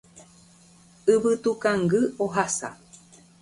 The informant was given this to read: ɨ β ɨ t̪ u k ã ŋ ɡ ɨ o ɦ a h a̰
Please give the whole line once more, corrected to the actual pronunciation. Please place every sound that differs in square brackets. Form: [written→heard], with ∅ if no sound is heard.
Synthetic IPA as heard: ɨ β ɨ t̪ u k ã ŋ ɡ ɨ o ɦ a [h→s] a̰